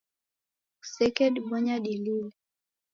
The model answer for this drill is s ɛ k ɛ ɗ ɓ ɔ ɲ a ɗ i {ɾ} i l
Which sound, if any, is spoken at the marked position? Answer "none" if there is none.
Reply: l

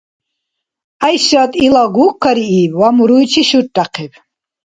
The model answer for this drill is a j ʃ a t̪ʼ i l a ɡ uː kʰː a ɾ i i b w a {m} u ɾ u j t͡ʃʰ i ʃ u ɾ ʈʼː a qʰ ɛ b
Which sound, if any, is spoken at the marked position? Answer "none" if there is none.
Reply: m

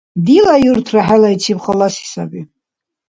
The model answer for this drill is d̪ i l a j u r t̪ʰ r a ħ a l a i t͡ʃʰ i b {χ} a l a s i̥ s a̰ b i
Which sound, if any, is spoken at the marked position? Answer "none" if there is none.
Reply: χ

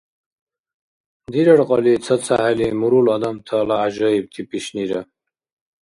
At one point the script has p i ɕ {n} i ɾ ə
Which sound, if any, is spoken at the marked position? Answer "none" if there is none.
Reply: n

